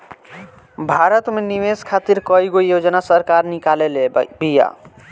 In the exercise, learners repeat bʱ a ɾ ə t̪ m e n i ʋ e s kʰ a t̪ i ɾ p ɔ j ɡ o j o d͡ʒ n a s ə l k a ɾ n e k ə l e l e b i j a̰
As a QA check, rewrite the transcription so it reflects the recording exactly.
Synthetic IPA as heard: bʱ a ɾ ə t̪ m e n i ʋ e s kʰ a t̪ i ɾ k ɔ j ɡ o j o d͡ʒ n a s ə ɾ k a ɾ n i k a l e l e b i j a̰